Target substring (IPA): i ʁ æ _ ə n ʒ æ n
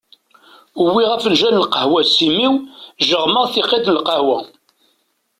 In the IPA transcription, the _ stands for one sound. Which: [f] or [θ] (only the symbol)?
f